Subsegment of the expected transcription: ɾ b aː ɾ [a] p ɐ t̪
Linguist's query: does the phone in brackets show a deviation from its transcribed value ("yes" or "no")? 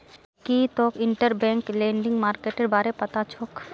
yes